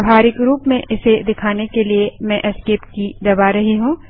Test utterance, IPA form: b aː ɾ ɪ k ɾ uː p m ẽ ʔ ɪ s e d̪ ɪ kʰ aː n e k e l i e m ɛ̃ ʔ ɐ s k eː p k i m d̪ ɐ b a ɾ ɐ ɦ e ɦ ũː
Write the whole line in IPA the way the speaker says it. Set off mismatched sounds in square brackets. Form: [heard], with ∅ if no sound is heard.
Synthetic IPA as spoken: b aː ɾ ɪ k ɾ uː p m ẽ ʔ ɪ s e d̪ ɪ kʰ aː n e k e l i e m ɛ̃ ʔ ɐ s k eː p k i [∅] d̪ ɐ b a ɾ ɐ ɦ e ɦ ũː